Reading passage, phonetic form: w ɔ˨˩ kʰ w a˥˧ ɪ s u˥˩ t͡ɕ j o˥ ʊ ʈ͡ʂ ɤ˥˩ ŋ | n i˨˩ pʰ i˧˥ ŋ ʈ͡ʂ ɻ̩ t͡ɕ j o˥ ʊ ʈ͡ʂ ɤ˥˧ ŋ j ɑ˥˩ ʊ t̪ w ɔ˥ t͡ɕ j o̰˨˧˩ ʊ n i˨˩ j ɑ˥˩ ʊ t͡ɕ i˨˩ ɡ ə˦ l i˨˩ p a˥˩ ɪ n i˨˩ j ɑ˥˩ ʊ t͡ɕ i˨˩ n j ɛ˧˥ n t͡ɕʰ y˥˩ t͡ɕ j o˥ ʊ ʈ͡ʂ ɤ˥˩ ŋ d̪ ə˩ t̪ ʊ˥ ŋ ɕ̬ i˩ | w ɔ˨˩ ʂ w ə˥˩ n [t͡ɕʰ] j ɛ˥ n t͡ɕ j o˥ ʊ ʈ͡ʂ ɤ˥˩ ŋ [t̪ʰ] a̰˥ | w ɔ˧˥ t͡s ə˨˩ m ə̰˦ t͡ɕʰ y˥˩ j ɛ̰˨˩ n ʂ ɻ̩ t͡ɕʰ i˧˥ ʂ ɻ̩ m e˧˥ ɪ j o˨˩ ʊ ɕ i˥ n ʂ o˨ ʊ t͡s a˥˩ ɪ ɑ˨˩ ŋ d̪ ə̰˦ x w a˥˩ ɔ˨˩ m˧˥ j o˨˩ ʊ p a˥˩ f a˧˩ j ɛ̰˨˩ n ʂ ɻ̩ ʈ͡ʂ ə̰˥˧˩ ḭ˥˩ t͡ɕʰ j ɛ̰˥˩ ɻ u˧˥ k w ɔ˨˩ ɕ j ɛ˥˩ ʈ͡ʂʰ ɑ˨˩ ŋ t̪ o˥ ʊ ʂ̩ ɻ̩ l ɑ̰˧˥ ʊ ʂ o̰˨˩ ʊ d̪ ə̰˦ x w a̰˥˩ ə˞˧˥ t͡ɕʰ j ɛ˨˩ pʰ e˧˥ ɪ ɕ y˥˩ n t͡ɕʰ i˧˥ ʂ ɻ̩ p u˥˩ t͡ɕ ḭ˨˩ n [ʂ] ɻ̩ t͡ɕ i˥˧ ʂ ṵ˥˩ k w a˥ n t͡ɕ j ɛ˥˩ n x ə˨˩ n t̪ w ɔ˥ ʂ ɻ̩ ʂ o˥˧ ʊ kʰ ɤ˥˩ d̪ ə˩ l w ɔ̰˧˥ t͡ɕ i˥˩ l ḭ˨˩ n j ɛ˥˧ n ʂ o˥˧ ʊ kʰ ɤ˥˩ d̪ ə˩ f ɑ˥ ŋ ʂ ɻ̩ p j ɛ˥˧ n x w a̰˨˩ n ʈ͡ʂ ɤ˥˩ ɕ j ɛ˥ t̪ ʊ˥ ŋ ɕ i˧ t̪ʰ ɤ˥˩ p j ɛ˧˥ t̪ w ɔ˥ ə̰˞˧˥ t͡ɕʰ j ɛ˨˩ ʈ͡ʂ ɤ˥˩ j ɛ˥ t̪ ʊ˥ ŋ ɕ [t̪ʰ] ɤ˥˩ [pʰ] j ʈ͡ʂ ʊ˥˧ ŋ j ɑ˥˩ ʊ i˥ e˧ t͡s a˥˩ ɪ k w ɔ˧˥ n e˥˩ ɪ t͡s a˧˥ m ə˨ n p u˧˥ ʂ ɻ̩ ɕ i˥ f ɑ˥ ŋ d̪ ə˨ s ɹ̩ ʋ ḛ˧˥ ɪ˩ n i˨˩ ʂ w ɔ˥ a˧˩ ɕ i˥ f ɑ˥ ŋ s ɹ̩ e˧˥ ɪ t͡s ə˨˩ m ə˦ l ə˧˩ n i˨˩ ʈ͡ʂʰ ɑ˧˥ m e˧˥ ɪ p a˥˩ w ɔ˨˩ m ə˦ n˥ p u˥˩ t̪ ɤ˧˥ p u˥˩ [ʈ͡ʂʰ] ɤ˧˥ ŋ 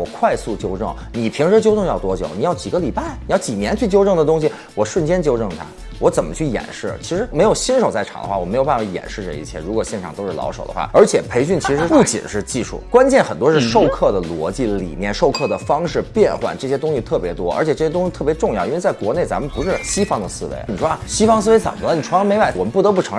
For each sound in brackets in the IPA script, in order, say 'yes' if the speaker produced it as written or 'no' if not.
no, yes, yes, yes, no, yes

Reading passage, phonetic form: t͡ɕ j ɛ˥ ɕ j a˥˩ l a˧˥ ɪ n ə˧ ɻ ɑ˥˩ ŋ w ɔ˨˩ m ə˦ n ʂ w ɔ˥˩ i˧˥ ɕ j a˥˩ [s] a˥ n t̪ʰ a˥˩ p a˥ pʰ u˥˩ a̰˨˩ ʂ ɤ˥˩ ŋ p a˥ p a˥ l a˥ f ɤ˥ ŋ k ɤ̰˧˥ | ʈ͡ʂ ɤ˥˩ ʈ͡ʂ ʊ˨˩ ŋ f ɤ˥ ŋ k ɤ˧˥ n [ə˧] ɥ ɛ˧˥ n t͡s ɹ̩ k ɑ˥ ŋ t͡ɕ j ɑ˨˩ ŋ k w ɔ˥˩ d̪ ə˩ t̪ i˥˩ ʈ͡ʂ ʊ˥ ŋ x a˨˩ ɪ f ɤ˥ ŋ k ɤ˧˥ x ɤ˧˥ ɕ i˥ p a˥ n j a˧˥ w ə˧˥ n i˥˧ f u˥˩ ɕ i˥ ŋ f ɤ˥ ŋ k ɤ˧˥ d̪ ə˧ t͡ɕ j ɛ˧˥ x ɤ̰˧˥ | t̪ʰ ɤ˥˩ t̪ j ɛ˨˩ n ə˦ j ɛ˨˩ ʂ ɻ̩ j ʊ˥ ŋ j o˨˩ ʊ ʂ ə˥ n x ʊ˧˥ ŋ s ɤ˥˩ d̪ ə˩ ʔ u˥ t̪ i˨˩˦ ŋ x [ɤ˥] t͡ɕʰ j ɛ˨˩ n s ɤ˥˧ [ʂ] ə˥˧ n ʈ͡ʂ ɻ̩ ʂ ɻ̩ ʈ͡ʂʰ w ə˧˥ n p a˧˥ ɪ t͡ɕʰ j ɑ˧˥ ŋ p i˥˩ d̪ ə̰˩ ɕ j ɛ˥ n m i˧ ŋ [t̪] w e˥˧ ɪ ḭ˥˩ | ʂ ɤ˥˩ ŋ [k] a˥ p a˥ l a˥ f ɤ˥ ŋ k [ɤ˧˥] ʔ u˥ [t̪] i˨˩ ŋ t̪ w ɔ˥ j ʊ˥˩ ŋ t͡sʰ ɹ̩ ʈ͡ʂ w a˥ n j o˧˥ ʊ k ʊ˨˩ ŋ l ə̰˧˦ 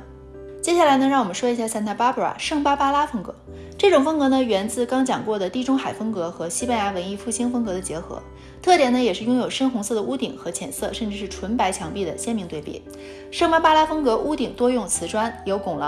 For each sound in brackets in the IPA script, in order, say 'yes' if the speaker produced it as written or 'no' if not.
yes, yes, no, yes, yes, no, yes, yes

